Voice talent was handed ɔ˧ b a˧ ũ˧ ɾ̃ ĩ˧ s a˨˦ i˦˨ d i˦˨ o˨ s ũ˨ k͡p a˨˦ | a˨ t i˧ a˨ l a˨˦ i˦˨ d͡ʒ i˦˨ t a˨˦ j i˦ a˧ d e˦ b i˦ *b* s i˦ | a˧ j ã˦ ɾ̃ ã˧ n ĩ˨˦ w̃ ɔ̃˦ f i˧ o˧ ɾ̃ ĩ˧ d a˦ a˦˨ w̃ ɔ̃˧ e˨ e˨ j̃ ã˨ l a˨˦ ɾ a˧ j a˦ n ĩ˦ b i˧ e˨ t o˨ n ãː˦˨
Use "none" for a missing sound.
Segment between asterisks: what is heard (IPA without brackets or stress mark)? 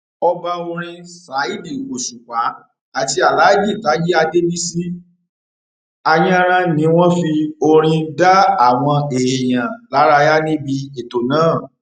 none